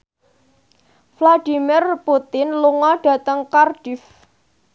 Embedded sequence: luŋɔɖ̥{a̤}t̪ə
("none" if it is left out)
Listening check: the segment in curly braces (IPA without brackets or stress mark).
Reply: a̤